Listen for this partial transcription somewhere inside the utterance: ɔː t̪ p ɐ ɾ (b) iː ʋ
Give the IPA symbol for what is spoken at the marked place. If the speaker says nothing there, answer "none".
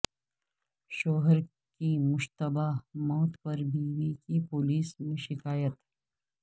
b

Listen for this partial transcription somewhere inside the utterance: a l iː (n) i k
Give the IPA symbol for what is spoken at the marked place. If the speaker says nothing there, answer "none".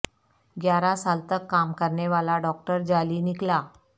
n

